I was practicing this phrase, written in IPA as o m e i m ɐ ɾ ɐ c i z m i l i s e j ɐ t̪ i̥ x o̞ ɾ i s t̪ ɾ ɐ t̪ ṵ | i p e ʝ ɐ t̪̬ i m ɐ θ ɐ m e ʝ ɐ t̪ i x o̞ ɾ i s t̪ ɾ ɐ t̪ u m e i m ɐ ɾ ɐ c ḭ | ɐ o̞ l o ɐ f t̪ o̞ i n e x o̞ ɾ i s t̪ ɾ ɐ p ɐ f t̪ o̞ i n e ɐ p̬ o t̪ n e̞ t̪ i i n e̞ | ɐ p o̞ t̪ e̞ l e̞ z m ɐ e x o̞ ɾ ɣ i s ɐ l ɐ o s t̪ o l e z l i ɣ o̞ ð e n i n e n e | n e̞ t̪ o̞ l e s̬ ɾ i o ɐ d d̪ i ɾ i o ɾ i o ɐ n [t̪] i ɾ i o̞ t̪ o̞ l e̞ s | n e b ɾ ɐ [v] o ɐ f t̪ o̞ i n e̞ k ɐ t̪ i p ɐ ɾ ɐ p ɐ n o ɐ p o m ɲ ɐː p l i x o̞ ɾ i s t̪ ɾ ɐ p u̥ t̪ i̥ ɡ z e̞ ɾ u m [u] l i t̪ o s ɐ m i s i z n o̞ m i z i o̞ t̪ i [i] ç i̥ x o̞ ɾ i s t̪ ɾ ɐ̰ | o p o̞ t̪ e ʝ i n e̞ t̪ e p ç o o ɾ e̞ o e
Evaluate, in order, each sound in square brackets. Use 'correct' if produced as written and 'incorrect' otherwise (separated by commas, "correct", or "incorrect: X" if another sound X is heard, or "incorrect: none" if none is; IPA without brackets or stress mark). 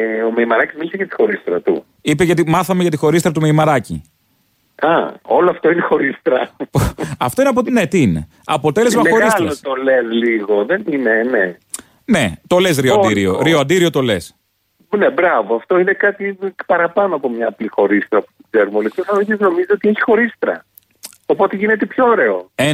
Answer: incorrect: d̪, correct, incorrect: o, incorrect: e